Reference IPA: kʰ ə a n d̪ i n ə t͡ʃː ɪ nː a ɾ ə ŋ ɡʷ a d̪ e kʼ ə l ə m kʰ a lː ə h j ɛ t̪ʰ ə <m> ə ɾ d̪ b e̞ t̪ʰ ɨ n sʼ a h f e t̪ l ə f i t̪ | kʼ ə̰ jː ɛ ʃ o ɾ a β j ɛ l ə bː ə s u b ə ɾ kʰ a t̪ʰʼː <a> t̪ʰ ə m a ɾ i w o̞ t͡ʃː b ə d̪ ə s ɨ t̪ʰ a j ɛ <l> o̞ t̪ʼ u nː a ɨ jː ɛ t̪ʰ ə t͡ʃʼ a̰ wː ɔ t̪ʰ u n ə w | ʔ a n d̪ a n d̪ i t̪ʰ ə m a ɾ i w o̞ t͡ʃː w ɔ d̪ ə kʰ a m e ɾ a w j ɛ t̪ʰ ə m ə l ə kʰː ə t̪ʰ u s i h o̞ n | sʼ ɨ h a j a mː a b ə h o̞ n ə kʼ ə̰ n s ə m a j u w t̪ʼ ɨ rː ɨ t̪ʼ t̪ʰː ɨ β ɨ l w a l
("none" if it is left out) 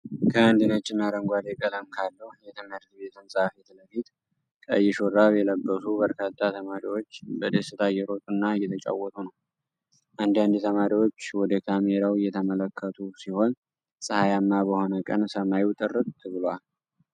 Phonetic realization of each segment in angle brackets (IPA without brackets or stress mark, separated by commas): m, a, ɾ